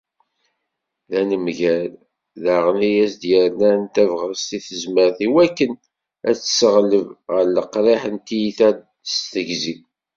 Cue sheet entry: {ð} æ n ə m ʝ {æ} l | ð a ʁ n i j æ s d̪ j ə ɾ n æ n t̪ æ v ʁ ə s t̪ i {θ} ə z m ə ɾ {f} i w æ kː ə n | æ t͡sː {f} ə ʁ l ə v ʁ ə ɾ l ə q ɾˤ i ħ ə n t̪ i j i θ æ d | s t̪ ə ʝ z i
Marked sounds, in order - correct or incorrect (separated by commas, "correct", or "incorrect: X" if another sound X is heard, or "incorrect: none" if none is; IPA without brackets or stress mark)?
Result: correct, correct, correct, incorrect: θ, incorrect: s